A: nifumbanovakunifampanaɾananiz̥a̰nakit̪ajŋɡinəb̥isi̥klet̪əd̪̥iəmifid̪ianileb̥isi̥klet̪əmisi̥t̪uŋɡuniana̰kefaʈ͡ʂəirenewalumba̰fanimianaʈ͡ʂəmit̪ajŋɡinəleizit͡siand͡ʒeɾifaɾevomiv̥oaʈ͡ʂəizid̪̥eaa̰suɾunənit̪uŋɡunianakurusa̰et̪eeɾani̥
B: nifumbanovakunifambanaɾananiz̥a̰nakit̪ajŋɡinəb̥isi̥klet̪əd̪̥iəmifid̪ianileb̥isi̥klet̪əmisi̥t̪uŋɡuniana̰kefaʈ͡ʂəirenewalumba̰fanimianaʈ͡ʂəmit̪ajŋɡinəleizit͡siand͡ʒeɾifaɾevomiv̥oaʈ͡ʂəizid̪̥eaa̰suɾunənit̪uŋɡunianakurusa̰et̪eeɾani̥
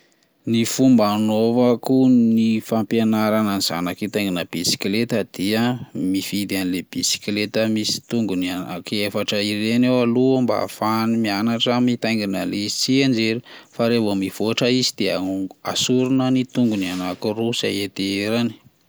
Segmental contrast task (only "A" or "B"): A